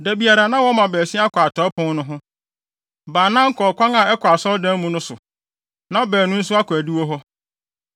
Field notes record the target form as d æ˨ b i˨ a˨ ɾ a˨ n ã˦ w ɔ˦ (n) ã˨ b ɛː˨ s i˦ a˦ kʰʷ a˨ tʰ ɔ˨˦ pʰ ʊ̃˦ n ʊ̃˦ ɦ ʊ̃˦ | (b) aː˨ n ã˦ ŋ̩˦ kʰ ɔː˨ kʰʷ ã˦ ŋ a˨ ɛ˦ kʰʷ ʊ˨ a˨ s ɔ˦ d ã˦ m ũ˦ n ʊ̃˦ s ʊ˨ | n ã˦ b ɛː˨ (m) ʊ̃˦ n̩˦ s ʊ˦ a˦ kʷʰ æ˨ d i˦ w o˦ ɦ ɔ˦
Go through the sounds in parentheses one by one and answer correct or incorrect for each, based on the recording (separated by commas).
incorrect, correct, incorrect